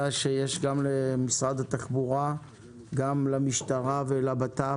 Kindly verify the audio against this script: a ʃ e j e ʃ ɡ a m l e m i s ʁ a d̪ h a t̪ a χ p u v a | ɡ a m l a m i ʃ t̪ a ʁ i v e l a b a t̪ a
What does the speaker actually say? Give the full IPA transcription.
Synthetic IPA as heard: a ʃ e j e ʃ ɡ a m l e m i s ʁ a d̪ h a t̪ a χ b u ʁ a | ɡ a m l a m i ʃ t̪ a ʁ a v e l a b a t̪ a